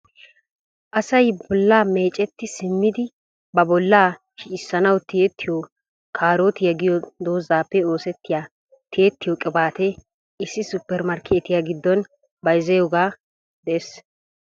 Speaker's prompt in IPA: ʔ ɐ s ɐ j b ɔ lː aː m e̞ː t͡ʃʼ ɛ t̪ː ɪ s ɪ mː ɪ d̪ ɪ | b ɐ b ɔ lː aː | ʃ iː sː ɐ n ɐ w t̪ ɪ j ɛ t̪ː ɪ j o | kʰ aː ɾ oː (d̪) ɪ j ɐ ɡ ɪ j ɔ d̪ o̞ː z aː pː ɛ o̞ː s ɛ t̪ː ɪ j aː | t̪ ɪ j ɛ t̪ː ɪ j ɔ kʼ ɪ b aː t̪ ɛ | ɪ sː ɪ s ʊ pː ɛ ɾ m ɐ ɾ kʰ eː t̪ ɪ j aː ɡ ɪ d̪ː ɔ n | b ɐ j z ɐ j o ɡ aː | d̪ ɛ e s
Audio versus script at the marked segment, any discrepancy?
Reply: yes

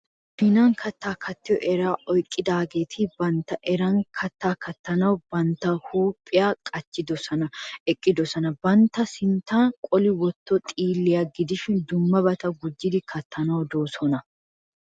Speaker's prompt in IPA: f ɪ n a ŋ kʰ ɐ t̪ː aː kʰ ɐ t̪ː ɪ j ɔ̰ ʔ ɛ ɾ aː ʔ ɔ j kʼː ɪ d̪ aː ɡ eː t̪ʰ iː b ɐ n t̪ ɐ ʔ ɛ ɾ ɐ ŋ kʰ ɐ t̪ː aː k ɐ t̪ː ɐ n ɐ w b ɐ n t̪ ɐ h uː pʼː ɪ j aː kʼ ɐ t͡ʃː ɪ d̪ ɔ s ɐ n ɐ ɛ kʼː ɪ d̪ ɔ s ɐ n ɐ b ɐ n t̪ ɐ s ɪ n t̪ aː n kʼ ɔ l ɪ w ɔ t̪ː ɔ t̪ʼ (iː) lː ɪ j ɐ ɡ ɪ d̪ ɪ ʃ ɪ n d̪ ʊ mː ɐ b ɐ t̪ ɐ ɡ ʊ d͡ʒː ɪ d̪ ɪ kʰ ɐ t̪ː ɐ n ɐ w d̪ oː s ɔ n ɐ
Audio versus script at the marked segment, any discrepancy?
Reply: no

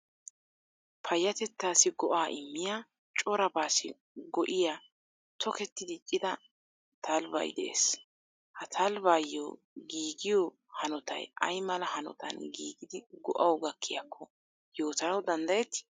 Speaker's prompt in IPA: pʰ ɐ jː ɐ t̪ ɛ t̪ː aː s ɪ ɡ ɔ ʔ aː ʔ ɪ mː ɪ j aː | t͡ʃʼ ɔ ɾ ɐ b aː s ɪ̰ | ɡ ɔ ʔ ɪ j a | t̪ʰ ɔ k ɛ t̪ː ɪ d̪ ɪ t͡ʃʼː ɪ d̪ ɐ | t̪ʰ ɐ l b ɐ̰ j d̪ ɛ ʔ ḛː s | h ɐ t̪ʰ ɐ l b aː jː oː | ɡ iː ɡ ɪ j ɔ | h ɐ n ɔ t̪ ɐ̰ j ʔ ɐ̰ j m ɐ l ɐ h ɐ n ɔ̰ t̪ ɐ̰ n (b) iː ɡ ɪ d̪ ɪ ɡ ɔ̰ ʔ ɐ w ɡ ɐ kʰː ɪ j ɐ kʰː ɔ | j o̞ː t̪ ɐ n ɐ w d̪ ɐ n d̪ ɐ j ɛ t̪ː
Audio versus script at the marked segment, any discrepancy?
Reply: yes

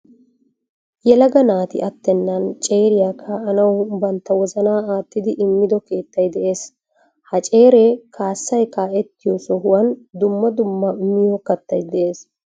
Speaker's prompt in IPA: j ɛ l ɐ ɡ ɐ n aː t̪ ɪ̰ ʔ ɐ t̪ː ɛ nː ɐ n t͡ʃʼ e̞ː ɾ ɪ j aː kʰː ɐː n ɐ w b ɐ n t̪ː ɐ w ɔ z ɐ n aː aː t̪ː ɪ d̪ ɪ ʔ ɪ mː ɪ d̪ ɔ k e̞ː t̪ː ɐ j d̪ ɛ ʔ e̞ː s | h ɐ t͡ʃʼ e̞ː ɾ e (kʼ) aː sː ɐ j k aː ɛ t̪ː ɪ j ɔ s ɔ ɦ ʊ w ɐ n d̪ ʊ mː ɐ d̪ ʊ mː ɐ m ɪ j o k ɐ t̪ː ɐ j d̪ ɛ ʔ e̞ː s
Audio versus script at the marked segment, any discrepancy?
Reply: yes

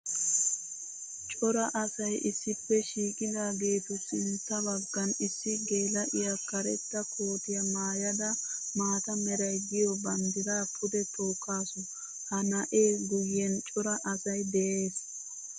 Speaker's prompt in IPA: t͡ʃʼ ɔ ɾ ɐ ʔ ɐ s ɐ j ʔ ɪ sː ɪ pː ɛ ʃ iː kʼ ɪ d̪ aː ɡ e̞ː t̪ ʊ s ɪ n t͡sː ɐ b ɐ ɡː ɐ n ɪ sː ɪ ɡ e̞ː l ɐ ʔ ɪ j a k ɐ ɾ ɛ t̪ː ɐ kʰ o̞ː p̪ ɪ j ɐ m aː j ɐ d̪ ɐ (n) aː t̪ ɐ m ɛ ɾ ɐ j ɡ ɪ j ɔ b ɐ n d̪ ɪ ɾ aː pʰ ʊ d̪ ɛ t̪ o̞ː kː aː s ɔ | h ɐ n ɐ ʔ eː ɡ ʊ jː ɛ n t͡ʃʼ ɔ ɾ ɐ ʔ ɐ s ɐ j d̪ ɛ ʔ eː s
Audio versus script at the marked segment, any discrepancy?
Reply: yes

